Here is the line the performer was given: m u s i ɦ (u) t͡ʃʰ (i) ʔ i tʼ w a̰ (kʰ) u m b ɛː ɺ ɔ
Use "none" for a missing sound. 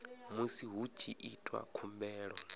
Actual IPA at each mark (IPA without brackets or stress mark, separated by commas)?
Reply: u, i, kʰ